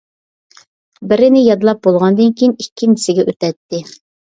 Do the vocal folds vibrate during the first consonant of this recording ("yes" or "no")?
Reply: yes